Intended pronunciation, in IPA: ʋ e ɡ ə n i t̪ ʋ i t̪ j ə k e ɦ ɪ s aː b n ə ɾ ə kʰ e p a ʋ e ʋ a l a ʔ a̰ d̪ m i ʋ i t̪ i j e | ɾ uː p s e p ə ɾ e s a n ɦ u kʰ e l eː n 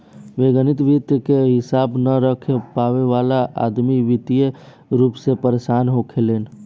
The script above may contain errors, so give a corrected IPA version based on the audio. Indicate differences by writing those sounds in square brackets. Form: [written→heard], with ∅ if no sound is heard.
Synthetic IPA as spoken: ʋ e ɡ ə n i t̪ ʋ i t̪ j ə k e ɦ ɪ s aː b n ə ɾ ə kʰ e p a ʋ e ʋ a l a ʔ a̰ d̪ m i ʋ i t̪ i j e | ɾ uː p s e p ə ɾ e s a n ɦ [u→o] kʰ e l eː n